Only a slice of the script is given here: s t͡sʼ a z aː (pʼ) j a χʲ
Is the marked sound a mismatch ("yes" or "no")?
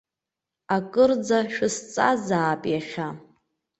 no